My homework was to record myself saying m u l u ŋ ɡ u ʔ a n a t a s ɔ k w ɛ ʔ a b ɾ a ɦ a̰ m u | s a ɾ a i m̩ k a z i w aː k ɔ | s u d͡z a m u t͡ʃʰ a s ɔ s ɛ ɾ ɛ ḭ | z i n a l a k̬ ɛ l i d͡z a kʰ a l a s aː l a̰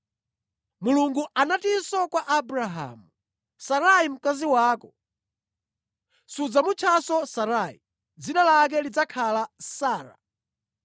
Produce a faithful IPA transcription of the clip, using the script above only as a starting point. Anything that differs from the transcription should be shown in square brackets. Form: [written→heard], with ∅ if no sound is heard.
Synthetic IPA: m u l u ŋ ɡ u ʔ a n a t [a→i] s ɔ k w [ɛ→a] ʔ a b ɾ a ɦ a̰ m u | s a ɾ a i m̩ k a z i w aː k ɔ | s u d͡z a m u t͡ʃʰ a s ɔ s [ɛ→a] ɾ [ɛ→a] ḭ | [z→d͡z] i n a l a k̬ ɛ l i d͡z a kʰ a l a s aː [l→ɾ] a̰